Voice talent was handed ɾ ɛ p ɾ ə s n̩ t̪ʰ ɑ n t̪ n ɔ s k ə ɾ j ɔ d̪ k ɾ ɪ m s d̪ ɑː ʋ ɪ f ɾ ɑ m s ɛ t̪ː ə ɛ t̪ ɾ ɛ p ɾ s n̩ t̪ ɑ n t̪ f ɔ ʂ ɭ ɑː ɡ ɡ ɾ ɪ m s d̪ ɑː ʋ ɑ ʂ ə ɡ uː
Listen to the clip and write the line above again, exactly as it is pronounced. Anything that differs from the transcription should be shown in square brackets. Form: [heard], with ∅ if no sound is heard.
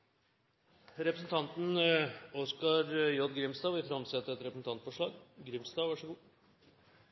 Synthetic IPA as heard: ɾ ɛ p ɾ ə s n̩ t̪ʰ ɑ n t̪ n ɔ s k [ɑ] ɾ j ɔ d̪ [ɡ] ɾ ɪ m s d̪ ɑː ʋ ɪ f ɾ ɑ m s ɛ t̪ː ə ɛ t̪ ɾ ɛ p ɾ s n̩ t̪ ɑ n t̪ f ɔ ʂ ɭ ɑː ɡ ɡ ɾ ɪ m s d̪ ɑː ʋ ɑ ʂ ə ɡ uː